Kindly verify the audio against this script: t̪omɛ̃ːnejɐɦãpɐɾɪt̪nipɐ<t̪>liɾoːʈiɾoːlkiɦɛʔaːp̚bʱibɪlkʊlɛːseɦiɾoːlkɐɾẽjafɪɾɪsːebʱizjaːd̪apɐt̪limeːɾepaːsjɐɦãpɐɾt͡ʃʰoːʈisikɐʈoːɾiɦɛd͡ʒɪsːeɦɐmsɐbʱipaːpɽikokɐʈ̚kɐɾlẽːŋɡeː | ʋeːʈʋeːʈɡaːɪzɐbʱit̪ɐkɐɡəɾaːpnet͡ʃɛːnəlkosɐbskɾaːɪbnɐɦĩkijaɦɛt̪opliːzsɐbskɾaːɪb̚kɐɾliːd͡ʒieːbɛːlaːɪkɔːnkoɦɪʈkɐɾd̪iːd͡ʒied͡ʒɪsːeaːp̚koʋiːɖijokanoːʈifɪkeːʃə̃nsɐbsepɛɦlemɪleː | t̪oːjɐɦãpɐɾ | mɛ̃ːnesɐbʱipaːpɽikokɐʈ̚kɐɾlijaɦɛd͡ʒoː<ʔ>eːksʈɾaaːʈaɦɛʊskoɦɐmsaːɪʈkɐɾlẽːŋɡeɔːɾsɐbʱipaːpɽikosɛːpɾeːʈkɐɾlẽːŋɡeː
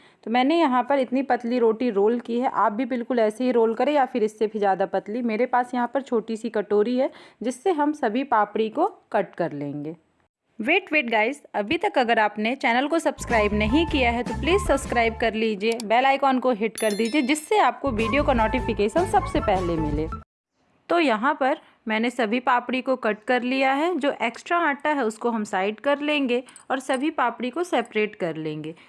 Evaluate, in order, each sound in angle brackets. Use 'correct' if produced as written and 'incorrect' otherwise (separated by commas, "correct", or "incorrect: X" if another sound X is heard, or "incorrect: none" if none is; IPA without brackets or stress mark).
correct, correct